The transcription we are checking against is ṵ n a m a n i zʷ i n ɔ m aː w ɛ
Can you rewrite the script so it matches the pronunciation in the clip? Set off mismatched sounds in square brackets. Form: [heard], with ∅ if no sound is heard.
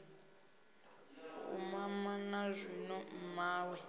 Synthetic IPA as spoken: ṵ [m] a m a n [a] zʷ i n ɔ m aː w ɛ